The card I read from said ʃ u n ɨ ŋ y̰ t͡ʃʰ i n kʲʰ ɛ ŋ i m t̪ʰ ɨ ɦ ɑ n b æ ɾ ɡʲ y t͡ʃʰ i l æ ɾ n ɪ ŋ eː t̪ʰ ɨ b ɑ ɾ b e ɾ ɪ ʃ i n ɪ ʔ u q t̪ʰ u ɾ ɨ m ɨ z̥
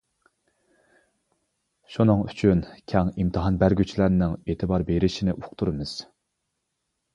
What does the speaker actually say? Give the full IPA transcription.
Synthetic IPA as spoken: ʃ u n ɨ ŋ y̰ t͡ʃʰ y n kʲʰ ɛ ŋ i m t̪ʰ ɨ ɦ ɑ n b æ ɾ ɡʲ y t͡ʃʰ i l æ ɾ n ɪ ŋ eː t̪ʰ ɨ b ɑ ɾ b e ɾ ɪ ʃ i n ɪ ʔ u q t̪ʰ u ɾ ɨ m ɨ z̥